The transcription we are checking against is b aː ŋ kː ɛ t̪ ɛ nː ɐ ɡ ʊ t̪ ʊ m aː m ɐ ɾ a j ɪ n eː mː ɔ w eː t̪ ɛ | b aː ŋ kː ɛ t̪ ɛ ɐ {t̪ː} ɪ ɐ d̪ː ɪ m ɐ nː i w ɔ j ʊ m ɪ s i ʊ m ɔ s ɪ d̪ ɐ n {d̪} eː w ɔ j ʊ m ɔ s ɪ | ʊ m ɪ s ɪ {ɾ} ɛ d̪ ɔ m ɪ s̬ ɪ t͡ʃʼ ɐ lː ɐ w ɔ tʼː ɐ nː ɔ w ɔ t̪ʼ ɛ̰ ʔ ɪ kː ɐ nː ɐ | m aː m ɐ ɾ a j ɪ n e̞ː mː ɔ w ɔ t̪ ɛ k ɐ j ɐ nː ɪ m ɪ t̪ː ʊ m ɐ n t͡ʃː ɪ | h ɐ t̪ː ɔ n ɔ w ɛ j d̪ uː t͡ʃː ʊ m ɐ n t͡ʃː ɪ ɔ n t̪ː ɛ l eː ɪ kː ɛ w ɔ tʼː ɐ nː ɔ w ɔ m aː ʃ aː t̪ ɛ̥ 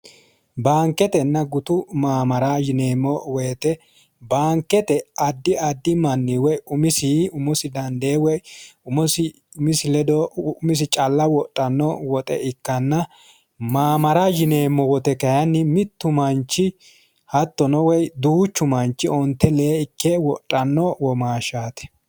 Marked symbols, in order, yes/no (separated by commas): no, yes, no